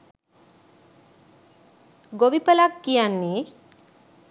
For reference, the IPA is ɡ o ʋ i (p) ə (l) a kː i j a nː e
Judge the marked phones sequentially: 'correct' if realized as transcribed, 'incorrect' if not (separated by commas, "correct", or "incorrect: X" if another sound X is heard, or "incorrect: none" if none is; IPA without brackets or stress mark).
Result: correct, correct